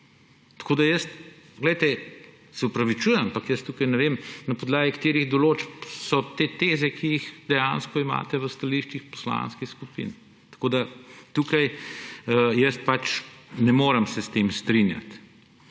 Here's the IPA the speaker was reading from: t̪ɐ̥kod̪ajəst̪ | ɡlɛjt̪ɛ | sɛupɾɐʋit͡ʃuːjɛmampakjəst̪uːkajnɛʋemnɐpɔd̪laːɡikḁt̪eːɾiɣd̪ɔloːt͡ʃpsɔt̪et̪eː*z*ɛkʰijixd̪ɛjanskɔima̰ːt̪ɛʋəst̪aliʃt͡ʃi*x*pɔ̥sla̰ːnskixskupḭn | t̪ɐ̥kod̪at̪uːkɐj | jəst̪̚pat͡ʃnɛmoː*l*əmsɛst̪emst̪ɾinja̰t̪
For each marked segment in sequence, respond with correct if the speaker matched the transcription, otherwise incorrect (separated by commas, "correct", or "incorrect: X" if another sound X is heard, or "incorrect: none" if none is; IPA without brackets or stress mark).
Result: correct, correct, incorrect: ɾ